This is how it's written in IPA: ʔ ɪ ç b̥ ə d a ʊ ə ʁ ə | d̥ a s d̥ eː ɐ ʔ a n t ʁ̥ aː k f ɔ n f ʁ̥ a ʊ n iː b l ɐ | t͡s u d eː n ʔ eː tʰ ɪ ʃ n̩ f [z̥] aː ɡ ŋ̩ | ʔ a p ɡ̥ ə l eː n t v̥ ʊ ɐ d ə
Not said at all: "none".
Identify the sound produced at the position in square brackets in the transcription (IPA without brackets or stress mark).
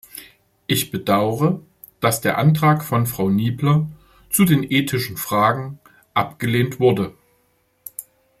ʁ̥